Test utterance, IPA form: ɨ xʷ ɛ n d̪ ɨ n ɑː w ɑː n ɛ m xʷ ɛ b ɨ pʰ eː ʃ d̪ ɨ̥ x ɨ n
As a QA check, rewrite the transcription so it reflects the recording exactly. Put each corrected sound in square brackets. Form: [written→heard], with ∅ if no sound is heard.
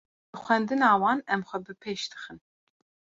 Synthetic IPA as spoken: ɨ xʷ ɛ n d̪ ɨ n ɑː w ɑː n ɛ m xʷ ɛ b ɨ pʰ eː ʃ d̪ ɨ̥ x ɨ n

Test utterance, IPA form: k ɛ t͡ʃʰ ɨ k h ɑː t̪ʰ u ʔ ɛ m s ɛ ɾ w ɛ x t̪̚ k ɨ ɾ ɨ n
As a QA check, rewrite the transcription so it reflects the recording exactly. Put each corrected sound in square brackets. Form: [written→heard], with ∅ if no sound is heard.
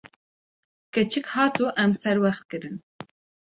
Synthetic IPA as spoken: k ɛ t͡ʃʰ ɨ k h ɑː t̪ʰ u ʔ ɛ m s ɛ ɾ w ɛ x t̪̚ k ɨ ɾ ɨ n

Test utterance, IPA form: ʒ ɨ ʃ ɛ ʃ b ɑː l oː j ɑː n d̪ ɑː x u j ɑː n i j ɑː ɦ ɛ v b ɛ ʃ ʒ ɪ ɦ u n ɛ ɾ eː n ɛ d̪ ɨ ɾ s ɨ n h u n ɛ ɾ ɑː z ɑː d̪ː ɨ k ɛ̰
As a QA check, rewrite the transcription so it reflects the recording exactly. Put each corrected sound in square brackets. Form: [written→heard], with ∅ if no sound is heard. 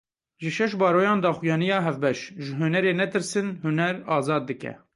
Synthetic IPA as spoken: ʒ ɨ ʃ ɛ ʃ b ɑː [l→ɾ] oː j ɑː n d̪ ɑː x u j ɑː n i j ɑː ɦ ɛ v b ɛ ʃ ʒ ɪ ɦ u n ɛ ɾ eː n ɛ [d̪→t̪] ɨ ɾ s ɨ n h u n ɛ ɾ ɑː z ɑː d̪ː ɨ k ɛ̰

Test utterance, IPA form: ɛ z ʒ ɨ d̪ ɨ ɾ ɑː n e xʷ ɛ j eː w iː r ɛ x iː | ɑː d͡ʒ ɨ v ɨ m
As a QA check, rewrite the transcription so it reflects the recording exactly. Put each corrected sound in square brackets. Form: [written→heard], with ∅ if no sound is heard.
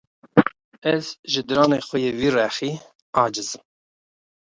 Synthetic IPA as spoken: ɛ z ʒ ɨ d̪ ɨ ɾ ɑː n e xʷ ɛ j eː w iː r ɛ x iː | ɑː d͡ʒ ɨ [v→z] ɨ m

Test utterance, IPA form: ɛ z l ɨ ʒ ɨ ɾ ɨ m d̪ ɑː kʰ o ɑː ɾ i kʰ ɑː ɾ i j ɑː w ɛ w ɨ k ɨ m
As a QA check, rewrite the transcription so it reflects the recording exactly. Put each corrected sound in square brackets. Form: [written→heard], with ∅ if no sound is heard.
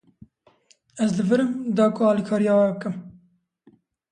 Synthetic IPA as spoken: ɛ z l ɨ [ʒ→v] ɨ ɾ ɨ m d̪ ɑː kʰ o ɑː [ɾ→l] i kʰ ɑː ɾ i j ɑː w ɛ [w→b] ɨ k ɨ m

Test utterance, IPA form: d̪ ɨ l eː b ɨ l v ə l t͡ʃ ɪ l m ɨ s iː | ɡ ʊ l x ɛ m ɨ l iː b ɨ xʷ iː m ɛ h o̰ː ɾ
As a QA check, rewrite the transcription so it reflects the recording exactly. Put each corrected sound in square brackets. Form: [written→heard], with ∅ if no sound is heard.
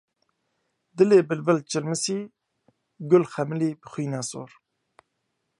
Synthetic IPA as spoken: d̪ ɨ l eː b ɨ l v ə l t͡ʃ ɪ l m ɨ s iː | ɡ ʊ l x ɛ m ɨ l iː b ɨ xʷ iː [m→n] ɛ [h→s] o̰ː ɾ

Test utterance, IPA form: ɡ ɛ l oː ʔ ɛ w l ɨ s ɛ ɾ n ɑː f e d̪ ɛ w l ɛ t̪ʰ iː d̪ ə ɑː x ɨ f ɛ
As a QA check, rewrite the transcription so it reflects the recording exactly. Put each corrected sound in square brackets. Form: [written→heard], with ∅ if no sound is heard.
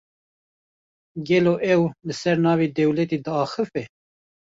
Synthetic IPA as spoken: ɡ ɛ l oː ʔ ɛ w l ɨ s ɛ ɾ n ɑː [f→v] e d̪ ɛ w l ɛ [t̪ʰ→t̪] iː d̪ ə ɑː x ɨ f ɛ

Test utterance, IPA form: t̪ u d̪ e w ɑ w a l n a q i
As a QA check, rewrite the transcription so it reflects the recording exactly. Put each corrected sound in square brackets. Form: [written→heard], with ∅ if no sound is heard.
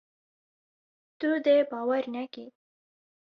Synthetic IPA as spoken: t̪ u d̪ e [w→b] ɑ w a [l→ɾ] n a [q→k] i

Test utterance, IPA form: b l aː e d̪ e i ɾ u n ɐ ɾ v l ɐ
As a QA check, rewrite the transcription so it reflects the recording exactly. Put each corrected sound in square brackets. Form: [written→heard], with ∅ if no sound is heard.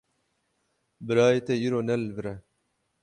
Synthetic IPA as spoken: b [l→ɾ] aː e [d̪→t̪] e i ɾ [u→o] n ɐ [ɾ→l] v [l→ɾ] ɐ

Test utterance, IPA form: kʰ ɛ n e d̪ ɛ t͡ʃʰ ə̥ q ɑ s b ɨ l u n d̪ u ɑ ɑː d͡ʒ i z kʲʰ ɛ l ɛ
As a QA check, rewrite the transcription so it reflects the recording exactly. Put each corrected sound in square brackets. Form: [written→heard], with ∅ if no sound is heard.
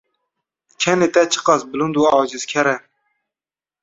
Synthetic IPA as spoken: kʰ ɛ n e [d̪→t̪] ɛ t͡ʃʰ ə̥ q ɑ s b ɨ l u n d̪ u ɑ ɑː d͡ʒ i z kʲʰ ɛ [l→ɾ] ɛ

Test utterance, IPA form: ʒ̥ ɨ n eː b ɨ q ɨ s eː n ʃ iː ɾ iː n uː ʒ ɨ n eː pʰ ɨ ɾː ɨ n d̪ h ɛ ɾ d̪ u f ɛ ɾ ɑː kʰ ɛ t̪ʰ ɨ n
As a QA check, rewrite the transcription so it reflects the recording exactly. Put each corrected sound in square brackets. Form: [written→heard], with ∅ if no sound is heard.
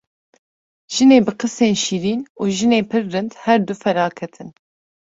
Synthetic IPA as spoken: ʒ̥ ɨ n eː b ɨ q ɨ s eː n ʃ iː ɾ iː n uː ʒ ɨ n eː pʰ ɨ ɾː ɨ n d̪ h ɛ ɾ d̪ u f ɛ ɾ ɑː kʰ ɛ t̪ʰ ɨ n

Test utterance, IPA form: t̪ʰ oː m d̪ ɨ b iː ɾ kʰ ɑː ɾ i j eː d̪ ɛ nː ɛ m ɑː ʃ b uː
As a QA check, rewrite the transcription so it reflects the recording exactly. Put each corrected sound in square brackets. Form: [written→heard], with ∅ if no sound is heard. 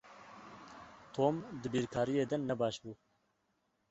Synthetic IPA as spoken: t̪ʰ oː m d̪ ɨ b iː ɾ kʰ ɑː ɾ i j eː d̪ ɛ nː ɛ [m→b] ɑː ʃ b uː

